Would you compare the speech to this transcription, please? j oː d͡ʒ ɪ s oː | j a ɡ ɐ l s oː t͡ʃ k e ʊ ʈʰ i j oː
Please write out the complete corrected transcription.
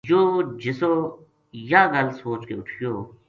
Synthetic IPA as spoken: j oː d͡ʒ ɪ s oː | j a ɡ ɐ l s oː t͡ʃ k e ʊ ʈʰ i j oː